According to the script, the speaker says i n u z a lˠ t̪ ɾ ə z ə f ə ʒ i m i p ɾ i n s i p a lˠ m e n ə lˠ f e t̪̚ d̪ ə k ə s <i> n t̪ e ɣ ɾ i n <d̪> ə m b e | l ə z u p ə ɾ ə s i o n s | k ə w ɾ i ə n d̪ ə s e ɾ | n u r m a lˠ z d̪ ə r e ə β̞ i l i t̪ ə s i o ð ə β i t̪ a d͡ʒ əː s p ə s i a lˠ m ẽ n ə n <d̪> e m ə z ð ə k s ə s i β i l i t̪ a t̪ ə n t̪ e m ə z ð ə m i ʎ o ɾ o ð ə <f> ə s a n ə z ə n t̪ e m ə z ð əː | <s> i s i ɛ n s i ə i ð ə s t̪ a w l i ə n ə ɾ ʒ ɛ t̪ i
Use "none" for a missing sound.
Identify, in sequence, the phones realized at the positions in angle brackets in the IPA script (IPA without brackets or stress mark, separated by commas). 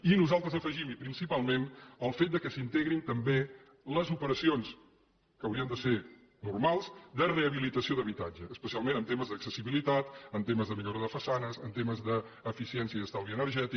i, t̪, t̪, f, f